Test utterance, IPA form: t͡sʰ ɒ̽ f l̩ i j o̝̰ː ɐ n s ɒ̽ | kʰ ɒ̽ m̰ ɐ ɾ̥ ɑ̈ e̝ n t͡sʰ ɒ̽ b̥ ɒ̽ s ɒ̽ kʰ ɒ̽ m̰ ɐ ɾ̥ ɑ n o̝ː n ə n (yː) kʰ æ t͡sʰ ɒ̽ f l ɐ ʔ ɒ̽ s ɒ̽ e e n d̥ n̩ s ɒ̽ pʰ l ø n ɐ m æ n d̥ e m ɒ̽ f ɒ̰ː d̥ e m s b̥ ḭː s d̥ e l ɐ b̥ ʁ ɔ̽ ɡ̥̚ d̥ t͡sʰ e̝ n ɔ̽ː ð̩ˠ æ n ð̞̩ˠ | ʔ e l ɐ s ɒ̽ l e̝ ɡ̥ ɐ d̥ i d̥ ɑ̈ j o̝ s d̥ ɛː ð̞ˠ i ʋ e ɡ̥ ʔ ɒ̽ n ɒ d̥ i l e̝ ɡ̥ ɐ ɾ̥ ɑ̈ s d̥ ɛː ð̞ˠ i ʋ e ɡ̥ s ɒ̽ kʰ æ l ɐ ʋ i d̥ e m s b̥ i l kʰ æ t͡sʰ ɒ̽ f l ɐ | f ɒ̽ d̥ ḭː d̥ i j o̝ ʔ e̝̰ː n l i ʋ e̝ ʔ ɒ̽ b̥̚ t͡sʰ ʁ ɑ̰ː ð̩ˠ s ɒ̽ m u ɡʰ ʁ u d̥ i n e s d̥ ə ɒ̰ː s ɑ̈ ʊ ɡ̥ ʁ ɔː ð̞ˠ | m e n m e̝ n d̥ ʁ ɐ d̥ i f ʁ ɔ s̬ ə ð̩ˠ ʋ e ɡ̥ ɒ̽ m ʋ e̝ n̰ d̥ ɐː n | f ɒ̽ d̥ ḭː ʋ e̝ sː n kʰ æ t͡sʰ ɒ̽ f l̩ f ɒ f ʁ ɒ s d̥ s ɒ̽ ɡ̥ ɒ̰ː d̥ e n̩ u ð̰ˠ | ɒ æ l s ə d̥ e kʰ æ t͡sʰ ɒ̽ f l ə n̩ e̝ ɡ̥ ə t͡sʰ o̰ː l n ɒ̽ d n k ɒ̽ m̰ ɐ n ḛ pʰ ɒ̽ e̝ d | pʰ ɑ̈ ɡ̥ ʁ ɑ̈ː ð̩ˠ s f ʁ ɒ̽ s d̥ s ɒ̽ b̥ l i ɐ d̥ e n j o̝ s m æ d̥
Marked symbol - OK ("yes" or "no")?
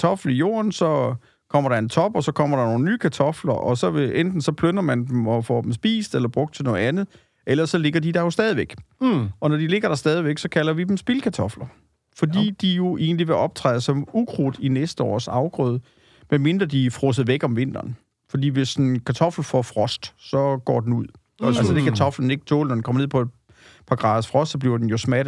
yes